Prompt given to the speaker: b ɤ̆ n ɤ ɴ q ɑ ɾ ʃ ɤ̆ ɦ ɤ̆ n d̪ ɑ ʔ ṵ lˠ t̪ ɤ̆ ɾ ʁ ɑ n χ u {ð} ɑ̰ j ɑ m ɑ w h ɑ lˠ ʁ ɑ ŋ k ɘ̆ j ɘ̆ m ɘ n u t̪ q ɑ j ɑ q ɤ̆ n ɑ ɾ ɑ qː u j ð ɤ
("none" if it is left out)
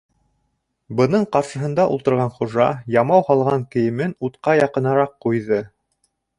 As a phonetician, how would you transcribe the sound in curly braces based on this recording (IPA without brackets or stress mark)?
ʒ